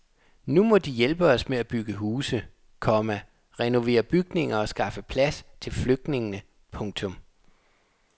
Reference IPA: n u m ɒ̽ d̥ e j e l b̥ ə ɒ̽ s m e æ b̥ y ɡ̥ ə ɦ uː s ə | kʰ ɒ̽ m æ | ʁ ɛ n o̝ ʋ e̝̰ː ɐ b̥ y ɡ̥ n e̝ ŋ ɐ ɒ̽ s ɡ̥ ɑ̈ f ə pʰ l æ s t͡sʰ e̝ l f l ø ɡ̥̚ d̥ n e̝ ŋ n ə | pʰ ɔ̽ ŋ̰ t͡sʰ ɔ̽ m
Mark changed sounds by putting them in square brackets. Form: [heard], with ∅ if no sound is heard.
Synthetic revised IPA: n u m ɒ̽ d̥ [i] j e l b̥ ə ɒ̽ s m e æ b̥ y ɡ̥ ə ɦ uː s ə | kʰ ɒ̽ m æ | ʁ ɛ n o̝ ʋ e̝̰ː ɐ b̥ y ɡ̥ n e̝ ŋ ɐ ɒ̽ s ɡ̥ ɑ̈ f ə pʰ l æ s t͡sʰ e̝ l f l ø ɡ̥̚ d̥ n e̝ ŋ n ə | pʰ ɔ̽ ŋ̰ t͡sʰ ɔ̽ m